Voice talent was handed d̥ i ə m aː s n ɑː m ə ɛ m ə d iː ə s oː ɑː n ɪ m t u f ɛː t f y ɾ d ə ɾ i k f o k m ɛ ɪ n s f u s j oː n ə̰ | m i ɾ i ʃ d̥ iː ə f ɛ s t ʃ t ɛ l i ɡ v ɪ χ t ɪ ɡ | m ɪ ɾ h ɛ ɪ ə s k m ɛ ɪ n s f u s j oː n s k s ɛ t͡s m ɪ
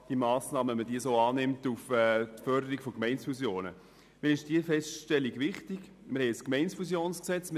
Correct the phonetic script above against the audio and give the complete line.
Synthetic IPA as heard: d̥ i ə m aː s n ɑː m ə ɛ m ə d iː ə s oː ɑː n ɪ m t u f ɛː t f œ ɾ d ə ɾ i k f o k m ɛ ɪ n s f u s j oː n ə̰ | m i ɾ ɪ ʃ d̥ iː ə f ɛ s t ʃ t ɛ l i ɡ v ɪ χ t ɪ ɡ | m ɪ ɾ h ɛ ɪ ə s k m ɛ ɪ n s f u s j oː n s k s ɛ t͡s m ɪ